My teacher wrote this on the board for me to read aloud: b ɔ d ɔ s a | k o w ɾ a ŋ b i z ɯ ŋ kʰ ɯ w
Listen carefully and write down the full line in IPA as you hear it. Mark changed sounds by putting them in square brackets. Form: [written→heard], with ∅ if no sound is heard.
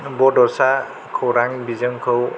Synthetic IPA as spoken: b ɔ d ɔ s a | [k→kʰ] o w ɾ a ŋ b i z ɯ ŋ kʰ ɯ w

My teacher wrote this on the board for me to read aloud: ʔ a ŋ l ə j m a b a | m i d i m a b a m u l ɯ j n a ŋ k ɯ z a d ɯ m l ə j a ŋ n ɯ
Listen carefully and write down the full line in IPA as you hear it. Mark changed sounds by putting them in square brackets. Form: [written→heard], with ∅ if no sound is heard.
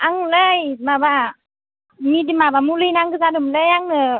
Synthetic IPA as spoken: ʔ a ŋ l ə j m a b a | m i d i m a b a m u l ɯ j n a ŋ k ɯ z a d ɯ m l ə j a ŋ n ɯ

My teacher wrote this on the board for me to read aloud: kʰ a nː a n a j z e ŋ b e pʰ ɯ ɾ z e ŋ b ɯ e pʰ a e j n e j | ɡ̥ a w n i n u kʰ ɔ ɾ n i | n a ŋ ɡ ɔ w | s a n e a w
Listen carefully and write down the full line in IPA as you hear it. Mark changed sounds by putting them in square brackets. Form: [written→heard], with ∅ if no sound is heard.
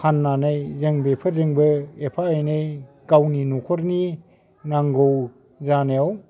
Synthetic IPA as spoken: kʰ a nː a n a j z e ŋ b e pʰ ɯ ɾ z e ŋ b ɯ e pʰ a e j n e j | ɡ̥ a w n i n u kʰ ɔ ɾ n i | n a ŋ ɡ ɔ w | [s→z] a n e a w

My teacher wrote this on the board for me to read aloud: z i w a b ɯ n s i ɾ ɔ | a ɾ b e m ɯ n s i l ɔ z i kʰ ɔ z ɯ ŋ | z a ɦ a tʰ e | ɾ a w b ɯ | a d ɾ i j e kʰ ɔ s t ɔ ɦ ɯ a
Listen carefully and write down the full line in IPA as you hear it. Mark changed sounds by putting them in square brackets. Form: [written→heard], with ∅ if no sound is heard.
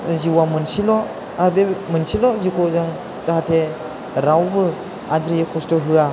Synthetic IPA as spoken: z i w a [b→m] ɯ n s i [ɾ→l] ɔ | a ɾ b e m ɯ n s i l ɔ z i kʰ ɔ z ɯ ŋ | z a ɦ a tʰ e | ɾ a w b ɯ | a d ɾ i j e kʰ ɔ s t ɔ ɦ ɯ a

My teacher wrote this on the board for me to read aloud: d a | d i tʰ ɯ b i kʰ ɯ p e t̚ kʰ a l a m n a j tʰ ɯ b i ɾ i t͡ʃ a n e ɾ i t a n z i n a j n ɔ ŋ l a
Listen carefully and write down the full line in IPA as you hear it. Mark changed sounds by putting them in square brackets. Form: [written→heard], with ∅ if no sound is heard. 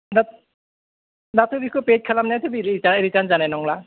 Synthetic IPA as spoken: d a | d [i→a] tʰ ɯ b i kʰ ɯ p e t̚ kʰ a l a m n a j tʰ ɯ b i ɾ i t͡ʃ a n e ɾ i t a n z [i→a] n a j n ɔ ŋ l a

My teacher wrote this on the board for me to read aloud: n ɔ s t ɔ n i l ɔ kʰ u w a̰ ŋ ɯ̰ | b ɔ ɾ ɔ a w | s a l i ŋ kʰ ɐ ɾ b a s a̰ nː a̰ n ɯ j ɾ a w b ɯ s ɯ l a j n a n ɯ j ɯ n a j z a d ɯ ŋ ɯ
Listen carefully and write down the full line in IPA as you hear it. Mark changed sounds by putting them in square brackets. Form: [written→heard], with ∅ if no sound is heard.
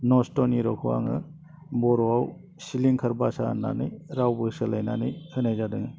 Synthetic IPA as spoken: n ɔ s t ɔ n i [l→ɾ] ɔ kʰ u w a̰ ŋ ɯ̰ | b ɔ ɾ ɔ a w | s [a→i] l i ŋ kʰ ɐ ɾ b a s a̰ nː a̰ n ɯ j ɾ a w b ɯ s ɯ l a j n a n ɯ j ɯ n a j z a d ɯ ŋ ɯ

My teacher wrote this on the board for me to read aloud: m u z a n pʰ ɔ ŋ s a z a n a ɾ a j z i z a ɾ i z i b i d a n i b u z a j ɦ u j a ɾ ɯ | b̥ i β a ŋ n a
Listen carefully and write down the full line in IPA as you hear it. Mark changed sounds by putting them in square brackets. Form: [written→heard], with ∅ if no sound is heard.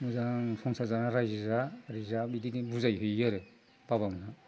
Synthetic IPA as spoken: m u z a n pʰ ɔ ŋ s a z a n a ɾ a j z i z a ɾ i z [i→a] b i d [a→i] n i b u z a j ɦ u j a ɾ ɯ | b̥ [i→a] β a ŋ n a

